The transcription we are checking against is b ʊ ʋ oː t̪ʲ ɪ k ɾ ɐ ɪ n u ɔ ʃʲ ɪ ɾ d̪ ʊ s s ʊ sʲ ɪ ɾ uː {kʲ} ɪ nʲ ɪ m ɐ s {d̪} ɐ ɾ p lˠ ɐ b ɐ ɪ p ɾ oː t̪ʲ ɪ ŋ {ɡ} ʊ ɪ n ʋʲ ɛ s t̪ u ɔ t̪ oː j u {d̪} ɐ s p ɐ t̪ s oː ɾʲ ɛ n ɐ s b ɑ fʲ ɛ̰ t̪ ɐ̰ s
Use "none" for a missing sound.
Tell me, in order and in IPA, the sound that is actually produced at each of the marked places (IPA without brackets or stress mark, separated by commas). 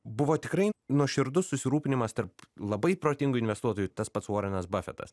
pʲ, t̪, ɡ, t̪